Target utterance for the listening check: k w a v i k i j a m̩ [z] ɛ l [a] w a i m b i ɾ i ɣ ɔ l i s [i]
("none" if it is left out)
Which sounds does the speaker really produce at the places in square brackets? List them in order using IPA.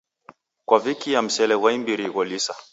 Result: s, ɛ, a

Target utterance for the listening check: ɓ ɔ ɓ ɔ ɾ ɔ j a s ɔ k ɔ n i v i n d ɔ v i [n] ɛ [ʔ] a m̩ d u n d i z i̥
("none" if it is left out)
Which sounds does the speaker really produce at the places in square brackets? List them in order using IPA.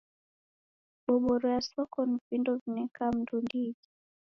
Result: n, k

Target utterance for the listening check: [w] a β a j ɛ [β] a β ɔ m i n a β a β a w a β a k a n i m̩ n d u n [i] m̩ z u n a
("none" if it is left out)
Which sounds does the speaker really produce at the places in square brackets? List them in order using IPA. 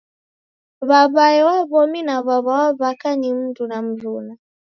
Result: β, w, a

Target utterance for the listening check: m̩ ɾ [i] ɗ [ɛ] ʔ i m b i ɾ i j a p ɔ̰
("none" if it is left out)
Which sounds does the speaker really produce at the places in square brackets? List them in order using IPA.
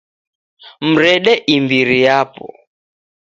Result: ɛ, ɛ

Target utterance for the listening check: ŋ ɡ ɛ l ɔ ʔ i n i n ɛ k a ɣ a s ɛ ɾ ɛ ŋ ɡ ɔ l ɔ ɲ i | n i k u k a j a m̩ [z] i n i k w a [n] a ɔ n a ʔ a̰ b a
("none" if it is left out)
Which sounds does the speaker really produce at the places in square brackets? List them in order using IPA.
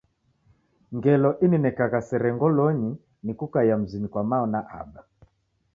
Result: z, m

